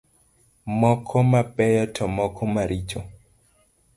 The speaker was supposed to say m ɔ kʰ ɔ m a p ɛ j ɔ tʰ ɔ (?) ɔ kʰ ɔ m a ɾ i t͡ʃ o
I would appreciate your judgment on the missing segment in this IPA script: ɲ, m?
m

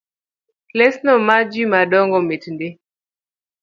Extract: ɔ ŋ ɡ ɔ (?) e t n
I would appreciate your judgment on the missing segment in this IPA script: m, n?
m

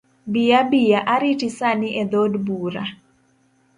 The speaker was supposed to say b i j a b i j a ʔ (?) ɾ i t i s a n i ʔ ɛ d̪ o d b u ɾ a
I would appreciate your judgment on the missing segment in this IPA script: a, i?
a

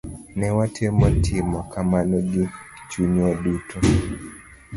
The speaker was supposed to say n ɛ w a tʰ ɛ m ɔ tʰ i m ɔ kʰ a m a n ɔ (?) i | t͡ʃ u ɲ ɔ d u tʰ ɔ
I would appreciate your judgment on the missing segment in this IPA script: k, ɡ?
ɡ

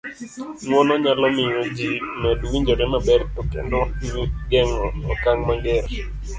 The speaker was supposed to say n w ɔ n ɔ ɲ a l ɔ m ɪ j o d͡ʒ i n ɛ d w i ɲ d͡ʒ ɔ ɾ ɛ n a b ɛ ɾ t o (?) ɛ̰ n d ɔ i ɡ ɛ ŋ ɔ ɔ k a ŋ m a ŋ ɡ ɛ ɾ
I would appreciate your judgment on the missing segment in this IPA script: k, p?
k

